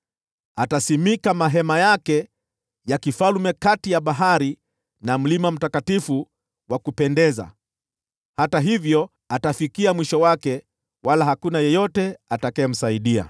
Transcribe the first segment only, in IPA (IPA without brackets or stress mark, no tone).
a